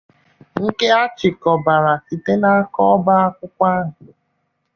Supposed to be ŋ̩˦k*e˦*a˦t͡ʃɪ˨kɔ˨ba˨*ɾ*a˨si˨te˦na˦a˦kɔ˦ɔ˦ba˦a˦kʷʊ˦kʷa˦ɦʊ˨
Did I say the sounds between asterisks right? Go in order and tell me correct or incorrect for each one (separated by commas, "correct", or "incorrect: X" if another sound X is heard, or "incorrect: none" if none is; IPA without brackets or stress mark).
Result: correct, correct